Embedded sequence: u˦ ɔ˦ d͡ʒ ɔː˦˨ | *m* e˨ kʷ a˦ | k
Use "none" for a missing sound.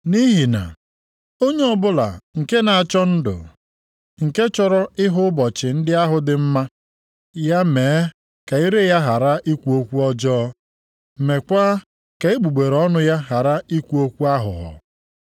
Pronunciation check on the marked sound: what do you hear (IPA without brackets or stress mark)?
m